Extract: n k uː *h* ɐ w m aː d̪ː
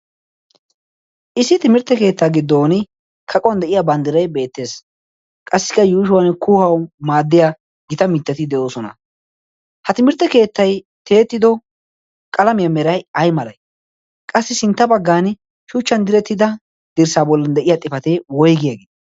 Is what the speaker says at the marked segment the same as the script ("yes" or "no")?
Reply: yes